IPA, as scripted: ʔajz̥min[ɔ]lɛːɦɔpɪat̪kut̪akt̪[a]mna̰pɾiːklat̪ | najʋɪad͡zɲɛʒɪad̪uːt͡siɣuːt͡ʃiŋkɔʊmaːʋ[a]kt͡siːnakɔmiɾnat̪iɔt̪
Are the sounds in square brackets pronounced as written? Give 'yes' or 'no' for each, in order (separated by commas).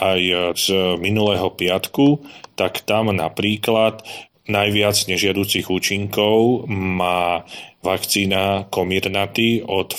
no, yes, yes